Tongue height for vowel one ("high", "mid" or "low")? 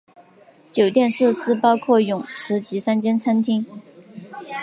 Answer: mid